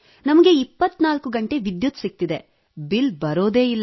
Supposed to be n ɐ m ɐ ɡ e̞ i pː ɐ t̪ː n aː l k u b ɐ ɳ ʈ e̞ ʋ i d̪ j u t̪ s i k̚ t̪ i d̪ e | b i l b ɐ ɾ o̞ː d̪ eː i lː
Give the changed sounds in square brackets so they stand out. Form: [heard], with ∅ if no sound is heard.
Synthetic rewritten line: n ɐ m ɐ ɡ e̞ i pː ɐ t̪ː n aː l k u [ɡ] ɐ ɳ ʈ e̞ ʋ i d̪ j u t̪ s i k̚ t̪ i d̪ e | b i l b ɐ ɾ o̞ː d̪ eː i lː